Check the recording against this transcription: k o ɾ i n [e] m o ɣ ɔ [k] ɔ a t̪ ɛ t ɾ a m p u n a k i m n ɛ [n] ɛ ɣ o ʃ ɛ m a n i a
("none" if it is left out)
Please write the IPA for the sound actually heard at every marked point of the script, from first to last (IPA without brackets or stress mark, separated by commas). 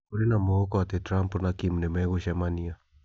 a, k, m